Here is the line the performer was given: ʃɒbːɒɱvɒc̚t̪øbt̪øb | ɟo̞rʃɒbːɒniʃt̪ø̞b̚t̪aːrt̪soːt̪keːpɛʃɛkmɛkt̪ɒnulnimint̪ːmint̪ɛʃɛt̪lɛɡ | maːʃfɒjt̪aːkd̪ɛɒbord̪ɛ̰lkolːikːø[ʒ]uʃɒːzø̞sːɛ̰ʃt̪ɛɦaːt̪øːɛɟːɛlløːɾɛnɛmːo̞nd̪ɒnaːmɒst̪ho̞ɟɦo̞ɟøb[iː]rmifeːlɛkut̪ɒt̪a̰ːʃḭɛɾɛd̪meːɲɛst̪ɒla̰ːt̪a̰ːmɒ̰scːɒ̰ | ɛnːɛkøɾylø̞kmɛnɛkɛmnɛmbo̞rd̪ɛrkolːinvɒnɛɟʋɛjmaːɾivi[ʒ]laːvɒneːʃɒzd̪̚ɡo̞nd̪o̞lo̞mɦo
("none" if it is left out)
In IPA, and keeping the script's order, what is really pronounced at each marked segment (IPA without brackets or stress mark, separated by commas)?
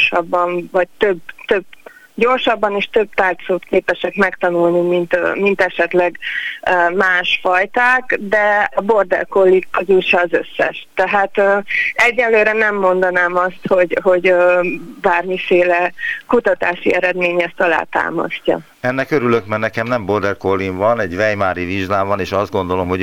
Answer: z, aː, ʒ